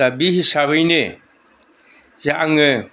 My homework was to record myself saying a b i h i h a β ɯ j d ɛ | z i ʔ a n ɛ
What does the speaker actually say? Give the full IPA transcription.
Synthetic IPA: a b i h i s a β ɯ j n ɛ | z a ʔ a ŋ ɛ

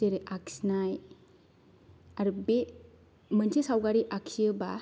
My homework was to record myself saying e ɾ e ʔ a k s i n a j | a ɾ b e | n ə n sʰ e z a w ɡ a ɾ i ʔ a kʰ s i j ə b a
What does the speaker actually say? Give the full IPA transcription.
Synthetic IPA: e ɾ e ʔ a k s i n a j | a ɾ b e | m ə n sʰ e s a w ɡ a ɾ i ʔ a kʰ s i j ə b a

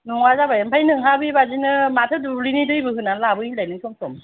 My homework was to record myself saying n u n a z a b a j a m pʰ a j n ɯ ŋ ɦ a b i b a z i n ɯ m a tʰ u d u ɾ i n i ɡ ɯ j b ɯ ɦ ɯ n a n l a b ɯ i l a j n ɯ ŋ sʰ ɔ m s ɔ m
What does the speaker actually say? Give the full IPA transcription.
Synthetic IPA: n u ŋ a z a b a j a m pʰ a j n ɯ ŋ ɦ a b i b a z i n ɯ m a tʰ ɯ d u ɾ i n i d ɯ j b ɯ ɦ ɯ n a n l a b ɯ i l a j n ɯ ŋ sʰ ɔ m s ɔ m

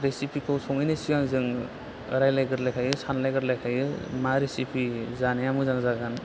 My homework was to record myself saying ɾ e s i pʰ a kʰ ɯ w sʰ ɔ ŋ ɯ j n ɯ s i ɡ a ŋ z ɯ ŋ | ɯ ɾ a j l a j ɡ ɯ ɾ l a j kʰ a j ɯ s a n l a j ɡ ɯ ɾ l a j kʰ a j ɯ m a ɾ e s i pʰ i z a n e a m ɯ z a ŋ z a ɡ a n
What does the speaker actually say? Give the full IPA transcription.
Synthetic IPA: ɾ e s i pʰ i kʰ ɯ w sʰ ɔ ŋ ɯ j n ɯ s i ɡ a ŋ z ɯ ŋ | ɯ ɾ a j l a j ɡ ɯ ɾ l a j kʰ a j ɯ s a n l a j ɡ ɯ ɾ l a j kʰ a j ɯ m a ɾ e s i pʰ i z a n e a m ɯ z a ŋ z a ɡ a n

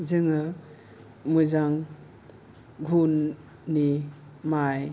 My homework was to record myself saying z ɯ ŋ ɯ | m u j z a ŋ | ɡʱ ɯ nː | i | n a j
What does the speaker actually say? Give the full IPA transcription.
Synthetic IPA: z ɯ ŋ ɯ | m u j z a ŋ | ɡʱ u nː | i | m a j

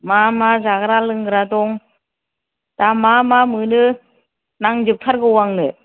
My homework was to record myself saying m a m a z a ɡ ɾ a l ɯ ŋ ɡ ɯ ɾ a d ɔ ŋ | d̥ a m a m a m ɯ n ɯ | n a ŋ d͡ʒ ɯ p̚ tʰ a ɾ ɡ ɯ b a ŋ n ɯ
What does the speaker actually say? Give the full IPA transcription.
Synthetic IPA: m a m a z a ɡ ɾ a l ɯ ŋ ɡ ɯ ɾ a d ɔ ŋ | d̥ a m a m a m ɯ n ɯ | n a ŋ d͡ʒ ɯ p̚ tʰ a ɾ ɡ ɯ w a ŋ n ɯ

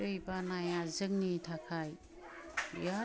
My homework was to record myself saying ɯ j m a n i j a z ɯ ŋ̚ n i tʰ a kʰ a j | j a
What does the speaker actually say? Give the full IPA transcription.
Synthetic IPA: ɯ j b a n a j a z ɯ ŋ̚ n i tʰ a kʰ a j | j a

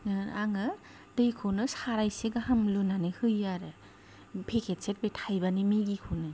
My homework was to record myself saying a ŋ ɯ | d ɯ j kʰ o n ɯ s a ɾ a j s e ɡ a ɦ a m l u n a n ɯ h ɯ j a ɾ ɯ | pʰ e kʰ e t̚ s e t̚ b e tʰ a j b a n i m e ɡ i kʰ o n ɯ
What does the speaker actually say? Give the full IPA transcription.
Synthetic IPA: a ŋ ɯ | d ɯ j kʰ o n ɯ s a ɾ a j s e ɡ a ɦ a m l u n a n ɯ h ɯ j a ɾ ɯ | pʰ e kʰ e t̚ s e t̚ b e tʰ a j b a n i m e ɡ i kʰ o n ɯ

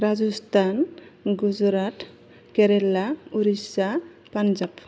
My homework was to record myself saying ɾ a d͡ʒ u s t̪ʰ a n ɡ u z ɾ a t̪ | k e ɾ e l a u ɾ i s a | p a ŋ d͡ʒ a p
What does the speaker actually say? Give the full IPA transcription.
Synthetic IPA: ɾ a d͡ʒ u s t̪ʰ a n ɡ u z ɾ a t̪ | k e ɾ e l a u ɾ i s a | p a n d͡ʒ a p

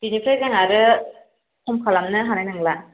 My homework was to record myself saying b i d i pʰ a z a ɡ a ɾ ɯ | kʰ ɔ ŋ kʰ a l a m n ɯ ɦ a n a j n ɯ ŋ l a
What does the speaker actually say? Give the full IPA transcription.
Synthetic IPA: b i n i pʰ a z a ŋ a ɾ ɯ | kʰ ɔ m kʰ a l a m n ɯ ɦ a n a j n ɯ ŋ l a

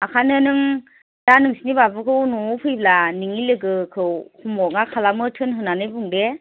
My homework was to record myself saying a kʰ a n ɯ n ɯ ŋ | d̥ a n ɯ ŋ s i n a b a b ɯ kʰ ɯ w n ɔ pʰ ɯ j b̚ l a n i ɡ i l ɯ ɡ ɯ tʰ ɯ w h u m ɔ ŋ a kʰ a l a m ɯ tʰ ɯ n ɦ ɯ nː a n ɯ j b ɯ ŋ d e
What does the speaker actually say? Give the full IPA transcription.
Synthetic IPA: a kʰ a n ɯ n ɯ ŋ | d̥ a n ɯ ŋ s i n i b a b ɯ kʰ ɯ w n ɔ pʰ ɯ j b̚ l a n i ŋ i l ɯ ɡ ɯ kʰ ɯ w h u m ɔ ŋ a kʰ a l a m ɯ tʰ ɯ n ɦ ɯ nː a n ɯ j b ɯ ŋ d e

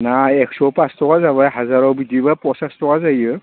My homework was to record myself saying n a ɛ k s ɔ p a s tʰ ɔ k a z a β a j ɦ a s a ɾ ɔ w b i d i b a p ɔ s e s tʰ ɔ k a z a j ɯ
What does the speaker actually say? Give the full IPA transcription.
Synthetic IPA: n a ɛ k s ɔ p a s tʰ ɔ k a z a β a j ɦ a z a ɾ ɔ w b i d i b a p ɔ s a s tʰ ɔ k a z a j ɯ

